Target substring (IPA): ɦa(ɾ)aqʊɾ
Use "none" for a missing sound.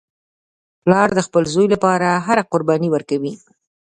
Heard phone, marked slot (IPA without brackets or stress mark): ɾ